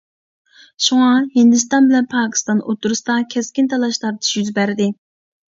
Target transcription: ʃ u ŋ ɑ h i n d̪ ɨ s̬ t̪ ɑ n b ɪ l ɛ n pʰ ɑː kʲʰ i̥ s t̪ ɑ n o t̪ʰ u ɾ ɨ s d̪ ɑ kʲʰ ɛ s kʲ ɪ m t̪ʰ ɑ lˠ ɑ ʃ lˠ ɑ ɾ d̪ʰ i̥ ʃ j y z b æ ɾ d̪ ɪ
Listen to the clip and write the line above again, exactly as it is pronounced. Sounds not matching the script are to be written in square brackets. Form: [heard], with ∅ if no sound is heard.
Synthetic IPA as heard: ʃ u ŋ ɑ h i n d̪ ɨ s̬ t̪ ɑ n b ɪ l ɛ n pʰ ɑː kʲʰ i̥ s t̪ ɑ n o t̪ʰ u ɾ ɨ s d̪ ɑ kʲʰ ɛ s kʲ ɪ [n] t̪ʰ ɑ lˠ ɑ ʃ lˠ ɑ ɾ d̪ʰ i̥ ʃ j y z b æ ɾ d̪ ɪ